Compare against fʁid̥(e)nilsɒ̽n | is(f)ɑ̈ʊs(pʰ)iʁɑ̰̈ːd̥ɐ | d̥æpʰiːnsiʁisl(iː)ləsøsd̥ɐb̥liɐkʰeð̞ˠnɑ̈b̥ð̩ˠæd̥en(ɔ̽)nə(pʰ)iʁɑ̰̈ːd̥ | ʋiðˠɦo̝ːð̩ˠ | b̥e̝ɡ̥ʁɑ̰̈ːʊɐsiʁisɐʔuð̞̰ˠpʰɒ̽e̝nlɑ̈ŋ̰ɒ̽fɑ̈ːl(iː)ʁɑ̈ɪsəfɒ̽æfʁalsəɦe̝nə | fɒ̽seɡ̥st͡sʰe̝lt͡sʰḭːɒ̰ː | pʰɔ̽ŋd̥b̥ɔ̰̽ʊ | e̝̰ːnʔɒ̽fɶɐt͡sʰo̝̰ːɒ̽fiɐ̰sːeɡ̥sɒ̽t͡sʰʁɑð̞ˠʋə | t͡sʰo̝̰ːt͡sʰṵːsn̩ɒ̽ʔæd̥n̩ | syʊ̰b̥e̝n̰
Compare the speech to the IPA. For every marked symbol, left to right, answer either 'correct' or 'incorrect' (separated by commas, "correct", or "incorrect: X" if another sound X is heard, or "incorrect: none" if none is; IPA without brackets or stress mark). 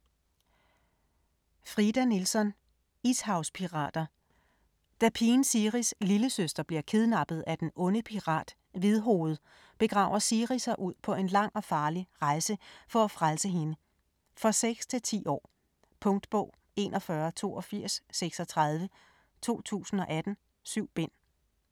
incorrect: æ, incorrect: h, correct, incorrect: i, correct, correct, incorrect: i